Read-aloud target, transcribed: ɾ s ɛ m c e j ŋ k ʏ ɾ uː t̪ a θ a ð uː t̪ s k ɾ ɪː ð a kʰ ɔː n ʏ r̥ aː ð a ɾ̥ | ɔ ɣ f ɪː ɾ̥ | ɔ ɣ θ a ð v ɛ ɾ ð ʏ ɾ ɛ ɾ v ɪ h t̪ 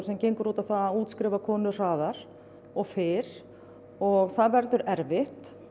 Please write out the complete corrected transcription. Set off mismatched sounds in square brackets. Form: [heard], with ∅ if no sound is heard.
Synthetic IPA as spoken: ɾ s ɛ m c e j ŋ k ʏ ɾ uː t̪ a θ a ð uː t̪ s k ɾ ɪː [v] a kʰ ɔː n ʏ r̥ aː ð a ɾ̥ | ɔ ɣ f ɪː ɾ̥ | ɔ ɣ θ a ð v ɛ ɾ ð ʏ ɾ ɛ ɾ v ɪ h t̪